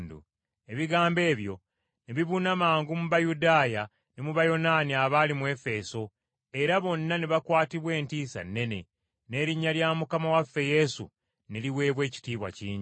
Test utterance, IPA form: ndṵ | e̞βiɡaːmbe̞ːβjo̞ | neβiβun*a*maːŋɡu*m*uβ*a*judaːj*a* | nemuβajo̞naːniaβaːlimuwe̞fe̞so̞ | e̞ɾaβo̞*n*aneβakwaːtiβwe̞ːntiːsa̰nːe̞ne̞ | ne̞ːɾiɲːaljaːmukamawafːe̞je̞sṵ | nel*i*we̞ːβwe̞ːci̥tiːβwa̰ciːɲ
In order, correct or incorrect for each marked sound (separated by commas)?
correct, correct, correct, correct, incorrect, correct